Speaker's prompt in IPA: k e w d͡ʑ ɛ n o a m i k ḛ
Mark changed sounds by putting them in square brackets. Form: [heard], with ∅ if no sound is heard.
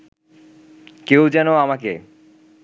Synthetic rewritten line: k e w d͡ʑ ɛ n o a m [a] k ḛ